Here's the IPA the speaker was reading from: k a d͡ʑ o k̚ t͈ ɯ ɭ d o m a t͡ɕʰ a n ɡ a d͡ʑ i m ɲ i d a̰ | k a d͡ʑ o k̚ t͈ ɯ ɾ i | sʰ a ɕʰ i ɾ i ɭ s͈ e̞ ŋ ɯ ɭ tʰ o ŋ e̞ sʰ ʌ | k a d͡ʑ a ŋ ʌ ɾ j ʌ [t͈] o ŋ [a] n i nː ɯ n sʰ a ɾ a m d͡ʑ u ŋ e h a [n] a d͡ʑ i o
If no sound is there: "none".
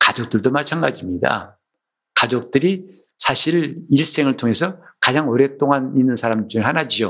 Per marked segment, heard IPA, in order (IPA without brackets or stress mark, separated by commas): t͈, a, n